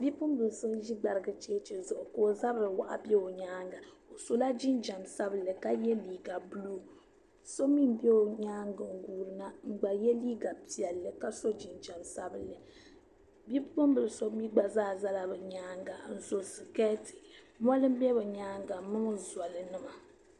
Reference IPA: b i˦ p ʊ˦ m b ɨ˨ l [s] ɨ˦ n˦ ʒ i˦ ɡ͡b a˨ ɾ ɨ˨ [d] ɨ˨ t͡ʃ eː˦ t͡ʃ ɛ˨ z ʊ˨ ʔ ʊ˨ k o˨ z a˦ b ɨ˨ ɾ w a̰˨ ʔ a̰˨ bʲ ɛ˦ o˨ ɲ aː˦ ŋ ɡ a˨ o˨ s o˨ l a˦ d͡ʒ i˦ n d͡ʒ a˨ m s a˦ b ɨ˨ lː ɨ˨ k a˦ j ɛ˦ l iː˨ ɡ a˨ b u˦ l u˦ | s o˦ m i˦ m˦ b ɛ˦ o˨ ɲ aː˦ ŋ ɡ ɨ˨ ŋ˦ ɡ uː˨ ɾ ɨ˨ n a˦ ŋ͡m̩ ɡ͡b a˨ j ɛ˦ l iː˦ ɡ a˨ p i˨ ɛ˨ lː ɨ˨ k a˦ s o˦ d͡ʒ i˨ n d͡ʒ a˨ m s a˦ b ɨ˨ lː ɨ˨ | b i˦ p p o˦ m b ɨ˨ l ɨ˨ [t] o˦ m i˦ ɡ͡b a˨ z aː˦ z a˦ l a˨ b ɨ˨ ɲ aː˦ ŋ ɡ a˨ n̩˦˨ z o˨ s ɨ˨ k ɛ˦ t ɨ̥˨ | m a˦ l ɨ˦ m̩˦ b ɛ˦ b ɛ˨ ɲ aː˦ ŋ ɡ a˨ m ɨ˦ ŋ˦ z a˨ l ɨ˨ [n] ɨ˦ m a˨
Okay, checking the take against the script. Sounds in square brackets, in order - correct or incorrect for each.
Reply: correct, incorrect: ɡ, incorrect: s, correct

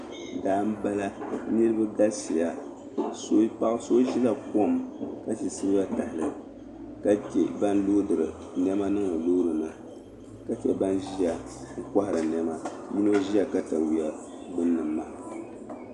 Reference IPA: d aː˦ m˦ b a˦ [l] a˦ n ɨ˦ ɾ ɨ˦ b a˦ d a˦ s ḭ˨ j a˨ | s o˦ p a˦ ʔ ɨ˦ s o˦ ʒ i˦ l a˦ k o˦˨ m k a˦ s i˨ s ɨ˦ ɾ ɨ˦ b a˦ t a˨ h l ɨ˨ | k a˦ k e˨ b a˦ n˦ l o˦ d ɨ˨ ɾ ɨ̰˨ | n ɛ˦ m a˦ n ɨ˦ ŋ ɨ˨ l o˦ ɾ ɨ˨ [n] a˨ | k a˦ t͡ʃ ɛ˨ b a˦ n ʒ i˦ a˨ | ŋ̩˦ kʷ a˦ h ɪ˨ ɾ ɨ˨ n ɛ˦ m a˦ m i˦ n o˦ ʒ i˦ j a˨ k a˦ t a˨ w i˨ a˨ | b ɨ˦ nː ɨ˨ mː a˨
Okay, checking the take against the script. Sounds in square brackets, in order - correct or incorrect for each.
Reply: correct, correct

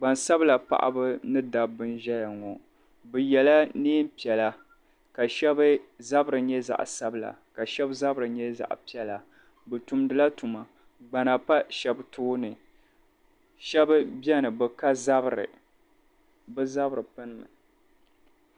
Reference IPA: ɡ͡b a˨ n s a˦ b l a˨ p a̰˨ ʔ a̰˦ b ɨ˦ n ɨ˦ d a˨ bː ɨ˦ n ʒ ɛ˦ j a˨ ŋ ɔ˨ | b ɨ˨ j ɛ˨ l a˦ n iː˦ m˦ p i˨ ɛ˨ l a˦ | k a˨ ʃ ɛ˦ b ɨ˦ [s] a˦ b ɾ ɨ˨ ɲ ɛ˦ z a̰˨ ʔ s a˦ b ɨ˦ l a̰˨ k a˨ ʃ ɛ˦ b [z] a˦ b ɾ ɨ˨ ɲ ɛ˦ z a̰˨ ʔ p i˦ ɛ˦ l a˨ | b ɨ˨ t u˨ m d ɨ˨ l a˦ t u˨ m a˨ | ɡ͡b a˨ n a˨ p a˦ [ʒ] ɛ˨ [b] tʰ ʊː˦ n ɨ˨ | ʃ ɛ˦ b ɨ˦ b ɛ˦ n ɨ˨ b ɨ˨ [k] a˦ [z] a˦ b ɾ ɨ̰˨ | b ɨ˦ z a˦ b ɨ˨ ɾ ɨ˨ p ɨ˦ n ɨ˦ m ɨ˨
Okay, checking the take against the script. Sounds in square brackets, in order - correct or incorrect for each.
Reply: incorrect: z, correct, incorrect: ʃ, correct, correct, correct

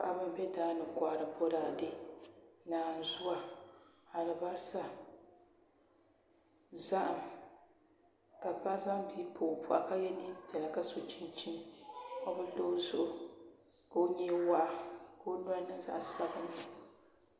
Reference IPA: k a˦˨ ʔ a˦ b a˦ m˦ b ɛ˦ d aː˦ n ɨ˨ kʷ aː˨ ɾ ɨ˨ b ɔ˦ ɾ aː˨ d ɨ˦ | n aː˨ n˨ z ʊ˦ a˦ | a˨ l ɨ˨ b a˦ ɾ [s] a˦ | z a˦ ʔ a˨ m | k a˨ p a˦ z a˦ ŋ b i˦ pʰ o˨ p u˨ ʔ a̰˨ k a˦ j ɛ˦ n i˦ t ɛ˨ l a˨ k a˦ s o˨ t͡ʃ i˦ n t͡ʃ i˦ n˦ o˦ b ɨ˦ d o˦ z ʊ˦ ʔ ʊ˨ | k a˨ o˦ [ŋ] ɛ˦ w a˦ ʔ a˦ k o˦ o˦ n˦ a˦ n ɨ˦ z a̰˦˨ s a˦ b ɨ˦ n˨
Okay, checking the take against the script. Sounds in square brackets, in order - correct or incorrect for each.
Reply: correct, incorrect: ɲ

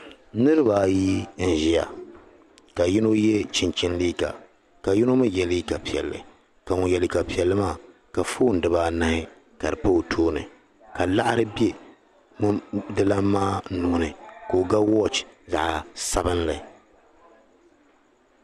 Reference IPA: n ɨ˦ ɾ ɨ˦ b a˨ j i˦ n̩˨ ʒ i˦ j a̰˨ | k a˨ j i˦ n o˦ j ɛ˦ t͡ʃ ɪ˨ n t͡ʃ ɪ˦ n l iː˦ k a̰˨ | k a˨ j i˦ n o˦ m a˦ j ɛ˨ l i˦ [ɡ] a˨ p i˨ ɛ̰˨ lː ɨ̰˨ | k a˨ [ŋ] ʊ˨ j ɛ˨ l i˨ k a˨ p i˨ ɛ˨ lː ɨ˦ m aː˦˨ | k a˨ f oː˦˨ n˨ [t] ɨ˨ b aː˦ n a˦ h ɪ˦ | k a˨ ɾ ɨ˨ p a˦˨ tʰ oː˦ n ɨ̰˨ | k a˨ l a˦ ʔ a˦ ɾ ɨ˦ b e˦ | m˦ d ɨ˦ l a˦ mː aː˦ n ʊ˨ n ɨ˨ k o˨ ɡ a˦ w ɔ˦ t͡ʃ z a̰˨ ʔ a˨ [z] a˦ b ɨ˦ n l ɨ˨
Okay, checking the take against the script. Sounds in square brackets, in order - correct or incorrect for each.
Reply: incorrect: k, correct, incorrect: d, incorrect: s

